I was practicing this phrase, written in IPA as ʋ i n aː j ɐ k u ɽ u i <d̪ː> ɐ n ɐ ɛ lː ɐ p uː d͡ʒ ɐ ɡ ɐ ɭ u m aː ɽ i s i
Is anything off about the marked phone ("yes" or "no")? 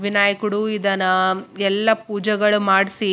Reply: yes